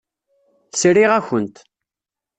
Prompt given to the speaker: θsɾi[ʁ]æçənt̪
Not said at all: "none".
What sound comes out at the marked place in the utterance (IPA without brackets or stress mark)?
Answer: ʁ